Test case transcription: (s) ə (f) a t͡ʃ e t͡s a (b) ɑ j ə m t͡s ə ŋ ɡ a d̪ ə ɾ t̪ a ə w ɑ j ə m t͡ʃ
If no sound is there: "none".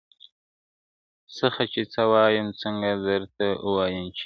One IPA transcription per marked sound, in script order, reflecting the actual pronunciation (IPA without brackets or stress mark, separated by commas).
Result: s, x, w